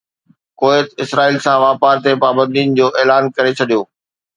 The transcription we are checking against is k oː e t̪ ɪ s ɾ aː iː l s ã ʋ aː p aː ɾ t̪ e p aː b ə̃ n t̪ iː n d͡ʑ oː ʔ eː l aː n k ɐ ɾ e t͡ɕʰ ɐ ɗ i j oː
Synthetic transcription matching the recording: k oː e t̪ ɪ s ɾ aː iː l s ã ʋ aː p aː ɾ t̪ e p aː b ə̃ n d̪ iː n d͡ʑ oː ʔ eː l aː n k ɐ ɾ e t͡ɕʰ ɐ ɗ i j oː